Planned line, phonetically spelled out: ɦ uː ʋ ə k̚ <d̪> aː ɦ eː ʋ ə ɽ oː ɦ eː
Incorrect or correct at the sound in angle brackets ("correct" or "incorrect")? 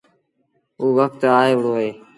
incorrect